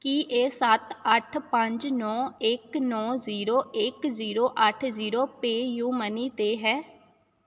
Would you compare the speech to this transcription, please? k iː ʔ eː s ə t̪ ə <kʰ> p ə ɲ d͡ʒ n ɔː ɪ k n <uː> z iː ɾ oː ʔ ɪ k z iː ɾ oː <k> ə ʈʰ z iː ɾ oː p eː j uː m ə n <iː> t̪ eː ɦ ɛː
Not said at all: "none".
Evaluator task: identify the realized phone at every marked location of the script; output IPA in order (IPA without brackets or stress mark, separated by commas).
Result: ʈʰ, ɔː, ʔ, iː